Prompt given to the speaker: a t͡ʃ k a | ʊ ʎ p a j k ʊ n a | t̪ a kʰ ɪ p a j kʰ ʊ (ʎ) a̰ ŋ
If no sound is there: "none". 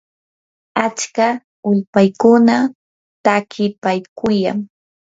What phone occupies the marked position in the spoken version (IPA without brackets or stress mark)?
j